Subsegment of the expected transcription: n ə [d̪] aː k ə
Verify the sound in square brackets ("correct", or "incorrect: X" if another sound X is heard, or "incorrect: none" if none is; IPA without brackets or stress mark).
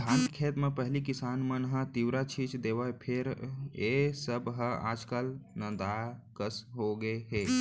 correct